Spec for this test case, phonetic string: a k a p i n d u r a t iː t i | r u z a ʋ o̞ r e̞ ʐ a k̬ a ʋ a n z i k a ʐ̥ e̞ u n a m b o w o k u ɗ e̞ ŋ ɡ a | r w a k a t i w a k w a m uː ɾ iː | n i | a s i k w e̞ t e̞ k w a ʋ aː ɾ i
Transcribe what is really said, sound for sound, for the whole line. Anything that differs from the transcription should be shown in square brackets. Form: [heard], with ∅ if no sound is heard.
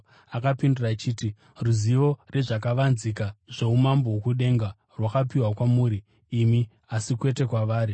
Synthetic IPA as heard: a k a p i n d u r a [t͡ʃ] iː t i | r u z [i] ʋ o̞ r e̞ ʐ a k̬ a ʋ a n z i k a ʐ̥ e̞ u [m] a m b o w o k u ɗ e̞ ŋ ɡ a | r w a k a [p] i w a k w a m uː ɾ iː | [m] i | a s i k w e̞ t e̞ k w a ʋ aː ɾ i